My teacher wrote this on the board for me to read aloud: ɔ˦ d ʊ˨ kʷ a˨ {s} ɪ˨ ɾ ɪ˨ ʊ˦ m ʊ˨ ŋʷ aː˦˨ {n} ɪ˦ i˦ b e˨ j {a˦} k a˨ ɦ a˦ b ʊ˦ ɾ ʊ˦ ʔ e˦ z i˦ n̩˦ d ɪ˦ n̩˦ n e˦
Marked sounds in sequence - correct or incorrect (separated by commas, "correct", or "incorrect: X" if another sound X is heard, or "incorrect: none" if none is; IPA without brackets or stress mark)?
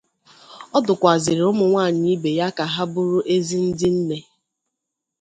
incorrect: z, incorrect: ɲ, correct